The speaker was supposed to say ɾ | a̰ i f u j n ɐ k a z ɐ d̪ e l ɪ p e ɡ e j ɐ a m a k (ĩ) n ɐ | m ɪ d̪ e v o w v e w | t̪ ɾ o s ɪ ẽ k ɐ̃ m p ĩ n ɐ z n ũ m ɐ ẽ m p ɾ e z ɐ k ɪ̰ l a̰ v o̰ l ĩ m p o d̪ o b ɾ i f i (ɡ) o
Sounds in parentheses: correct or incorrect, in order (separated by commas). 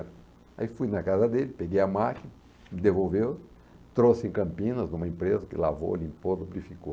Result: incorrect, incorrect